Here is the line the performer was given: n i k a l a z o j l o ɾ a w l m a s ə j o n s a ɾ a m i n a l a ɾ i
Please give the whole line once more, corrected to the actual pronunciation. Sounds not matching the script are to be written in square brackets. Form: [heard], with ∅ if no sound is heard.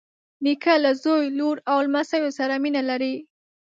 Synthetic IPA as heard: n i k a l a z o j l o ɾ a w l m a s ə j o [∅] s a ɾ a m i n a l a ɾ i